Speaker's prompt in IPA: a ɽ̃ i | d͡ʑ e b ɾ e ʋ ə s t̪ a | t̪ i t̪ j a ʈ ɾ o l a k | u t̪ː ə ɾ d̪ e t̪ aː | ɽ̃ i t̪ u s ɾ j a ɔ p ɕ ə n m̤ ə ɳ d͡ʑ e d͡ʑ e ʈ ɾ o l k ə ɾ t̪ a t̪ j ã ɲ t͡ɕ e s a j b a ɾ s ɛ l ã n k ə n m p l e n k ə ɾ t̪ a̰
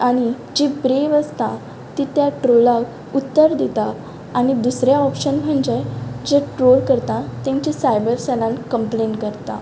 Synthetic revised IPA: a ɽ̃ i | d͡ʑ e b ɾ e ʋ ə s t̪ a | t̪ i t̪ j a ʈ ɾ o l a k | u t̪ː ə ɾ d̪ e t̪ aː | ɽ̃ i d̪ u s ɾ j a ɔ p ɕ ə n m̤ ə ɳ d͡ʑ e d͡ʑ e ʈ ɾ o l k ə ɾ t̪ a t̪ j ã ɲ t͡ɕ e s a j b ə ɾ s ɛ l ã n k ə m p l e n k ə ɾ t̪ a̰

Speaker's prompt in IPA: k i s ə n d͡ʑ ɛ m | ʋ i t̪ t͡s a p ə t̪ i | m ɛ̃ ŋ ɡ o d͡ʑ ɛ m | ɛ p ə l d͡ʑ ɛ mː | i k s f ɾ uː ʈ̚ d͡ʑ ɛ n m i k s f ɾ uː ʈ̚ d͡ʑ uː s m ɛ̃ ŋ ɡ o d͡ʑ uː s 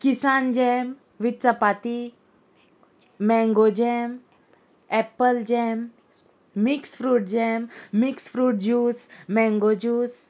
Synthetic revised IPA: k i s a n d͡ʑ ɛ m | ʋ i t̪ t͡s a p a t̪ i | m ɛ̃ ŋ ɡ o d͡ʑ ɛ m | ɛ p ə l d͡ʑ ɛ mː | i k s f ɾ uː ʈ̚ d͡ʑ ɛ m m i k s f ɾ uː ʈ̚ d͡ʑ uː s m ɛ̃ ŋ ɡ o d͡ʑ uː s

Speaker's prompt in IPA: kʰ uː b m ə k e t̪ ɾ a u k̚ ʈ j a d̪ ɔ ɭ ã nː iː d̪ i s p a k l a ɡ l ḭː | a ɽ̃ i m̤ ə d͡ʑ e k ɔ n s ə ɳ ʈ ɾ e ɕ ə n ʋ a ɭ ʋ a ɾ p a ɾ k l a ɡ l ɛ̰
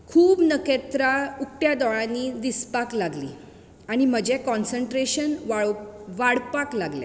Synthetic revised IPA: kʰ uː b n ə k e t̪ ɾ a u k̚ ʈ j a d̪ ɔ ɭ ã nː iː d̪ i s p a k l a ɡ l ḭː | a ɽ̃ i m̤ ə d͡ʑ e k ɔ n s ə ɳ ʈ ɾ e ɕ ə n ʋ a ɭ ʋ a ɽ p a k l a ɡ l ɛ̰

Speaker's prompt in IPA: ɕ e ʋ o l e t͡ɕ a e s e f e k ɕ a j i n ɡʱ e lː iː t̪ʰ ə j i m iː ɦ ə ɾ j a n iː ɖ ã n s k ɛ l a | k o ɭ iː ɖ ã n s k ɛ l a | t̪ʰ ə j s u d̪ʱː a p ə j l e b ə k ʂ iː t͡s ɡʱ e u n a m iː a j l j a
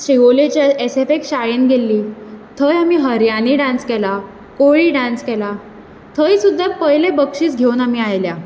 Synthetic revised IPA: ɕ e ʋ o l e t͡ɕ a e s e f e k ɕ a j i n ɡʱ e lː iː t̪ʰ ə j a m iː ɦ ə ɾ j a n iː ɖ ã n s k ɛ l a | k o ɭ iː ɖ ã n s k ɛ l a | t̪ʰ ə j s u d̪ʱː a p ə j l e b ə k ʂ iː t͡s ɡʱ e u n a m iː a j l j a

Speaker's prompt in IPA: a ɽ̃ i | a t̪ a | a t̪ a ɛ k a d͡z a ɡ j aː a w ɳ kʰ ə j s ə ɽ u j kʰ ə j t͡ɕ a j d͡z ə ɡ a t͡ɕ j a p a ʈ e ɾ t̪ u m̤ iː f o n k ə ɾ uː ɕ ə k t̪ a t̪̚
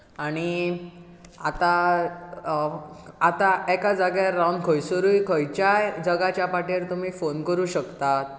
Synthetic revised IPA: a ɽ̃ i | a t̪ a | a t̪ a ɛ k a d͡z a ɡ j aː a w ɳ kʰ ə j s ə ɾ u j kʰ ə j t͡ɕ a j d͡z ə ɡ a t͡ɕ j a p a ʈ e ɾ t̪ u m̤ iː f o n k ə ɾ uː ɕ ə k t̪ a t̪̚

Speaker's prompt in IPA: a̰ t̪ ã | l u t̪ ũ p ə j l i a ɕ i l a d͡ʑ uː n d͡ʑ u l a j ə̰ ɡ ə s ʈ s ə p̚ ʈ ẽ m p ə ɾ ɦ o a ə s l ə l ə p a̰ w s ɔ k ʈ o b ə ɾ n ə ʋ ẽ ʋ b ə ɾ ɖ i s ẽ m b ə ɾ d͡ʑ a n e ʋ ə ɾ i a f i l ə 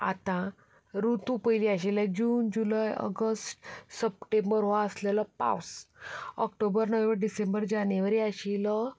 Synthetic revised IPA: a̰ t̪ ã | ɾ u t̪ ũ p ə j l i a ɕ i l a d͡ʑ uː n d͡ʑ u l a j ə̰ ɡ ə s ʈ s ə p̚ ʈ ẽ m b ə ɾ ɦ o a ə s l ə l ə p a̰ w s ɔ k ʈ o b ə ɾ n ə ʋ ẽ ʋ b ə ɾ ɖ i s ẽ m b ə ɾ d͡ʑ a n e ʋ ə ɾ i a ɕ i l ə

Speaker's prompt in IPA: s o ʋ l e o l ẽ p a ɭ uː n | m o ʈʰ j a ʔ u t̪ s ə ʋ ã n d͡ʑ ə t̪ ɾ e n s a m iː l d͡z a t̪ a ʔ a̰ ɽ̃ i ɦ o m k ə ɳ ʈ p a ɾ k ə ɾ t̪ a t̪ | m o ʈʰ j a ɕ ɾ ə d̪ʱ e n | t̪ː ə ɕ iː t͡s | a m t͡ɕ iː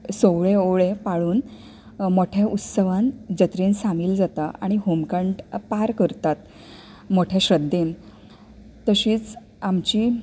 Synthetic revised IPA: s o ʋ ɭ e o ɭ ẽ p a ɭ uː n | m o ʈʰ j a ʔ u t̪ s ə ʋ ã n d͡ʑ ə t̪ ɾ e n s a m iː l d͡z a t̪ a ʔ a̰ ɽ̃ i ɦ o m k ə ɳ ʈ p a ɾ k ə ɾ t̪ a t̪ | m o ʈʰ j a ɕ ɾ ə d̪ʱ e n | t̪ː ə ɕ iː t͡s | a m t͡ɕ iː

